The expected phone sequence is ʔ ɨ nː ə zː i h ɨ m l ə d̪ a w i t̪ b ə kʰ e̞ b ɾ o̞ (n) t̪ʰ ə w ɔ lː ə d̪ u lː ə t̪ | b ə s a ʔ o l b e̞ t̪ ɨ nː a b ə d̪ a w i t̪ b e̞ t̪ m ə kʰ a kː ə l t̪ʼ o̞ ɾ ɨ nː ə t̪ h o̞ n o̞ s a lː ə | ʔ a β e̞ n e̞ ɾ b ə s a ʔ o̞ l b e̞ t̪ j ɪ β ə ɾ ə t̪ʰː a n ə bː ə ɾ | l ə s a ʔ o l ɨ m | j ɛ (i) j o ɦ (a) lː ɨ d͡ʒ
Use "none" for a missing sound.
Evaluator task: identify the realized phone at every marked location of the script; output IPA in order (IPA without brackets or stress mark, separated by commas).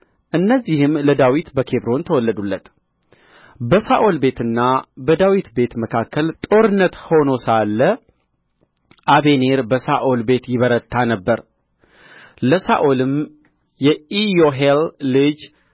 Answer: n, i, e